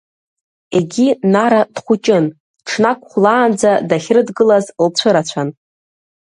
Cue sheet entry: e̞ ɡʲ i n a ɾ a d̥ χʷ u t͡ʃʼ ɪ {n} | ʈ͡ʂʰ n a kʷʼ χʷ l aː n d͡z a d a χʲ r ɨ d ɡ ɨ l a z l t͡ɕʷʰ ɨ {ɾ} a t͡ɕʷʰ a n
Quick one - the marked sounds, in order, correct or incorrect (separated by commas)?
correct, correct